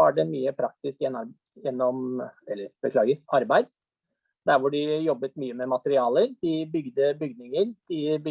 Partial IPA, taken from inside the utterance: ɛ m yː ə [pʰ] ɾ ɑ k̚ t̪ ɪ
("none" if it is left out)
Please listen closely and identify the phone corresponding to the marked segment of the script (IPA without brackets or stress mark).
pʰ